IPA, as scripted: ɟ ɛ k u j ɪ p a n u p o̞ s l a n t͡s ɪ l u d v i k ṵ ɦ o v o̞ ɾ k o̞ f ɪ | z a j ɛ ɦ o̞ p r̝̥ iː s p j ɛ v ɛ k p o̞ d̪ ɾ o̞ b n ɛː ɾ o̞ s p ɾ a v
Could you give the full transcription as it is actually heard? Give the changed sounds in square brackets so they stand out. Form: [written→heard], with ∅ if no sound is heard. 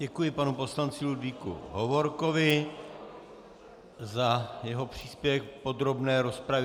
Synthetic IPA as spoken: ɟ ɛ k u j ɪ p a n u p o̞ s l a n t͡s ɪ l u d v i k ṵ ɦ o v o̞ ɾ k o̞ [f→v] ɪ | z a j ɛ ɦ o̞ p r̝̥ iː s p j ɛ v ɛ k p o̞ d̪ ɾ o̞ b n ɛː ɾ o̞ s p ɾ a v